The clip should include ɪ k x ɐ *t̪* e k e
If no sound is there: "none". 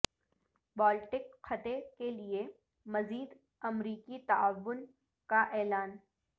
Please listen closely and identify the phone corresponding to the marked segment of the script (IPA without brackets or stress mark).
t̪